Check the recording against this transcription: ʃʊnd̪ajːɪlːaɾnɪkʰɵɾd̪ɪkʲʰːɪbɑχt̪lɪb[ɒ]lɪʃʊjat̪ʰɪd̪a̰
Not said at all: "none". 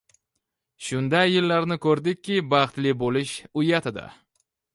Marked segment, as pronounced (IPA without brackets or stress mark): o